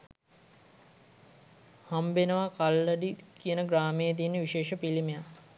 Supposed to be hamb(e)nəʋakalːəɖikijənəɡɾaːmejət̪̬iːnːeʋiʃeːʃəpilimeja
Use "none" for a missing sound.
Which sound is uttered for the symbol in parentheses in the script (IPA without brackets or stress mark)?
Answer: e